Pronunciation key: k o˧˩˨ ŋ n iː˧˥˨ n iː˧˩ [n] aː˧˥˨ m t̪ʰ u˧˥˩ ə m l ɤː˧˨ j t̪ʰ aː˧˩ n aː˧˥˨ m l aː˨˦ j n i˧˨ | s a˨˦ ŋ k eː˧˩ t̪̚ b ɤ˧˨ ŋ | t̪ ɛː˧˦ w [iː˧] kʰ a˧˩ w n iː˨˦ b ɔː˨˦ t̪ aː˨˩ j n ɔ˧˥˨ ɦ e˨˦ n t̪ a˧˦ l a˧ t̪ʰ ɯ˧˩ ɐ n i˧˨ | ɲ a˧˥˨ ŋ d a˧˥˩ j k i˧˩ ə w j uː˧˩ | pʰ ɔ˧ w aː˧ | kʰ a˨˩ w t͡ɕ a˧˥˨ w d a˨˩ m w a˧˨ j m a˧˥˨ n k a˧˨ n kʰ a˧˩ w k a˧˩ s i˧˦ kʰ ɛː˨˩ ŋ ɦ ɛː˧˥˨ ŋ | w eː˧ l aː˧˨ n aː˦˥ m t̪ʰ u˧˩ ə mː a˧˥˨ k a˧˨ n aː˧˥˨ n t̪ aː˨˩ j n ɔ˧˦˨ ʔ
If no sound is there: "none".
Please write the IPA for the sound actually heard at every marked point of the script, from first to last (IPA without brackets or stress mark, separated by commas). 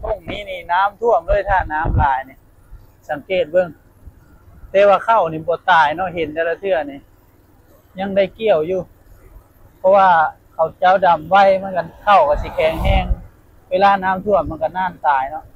n, aː˧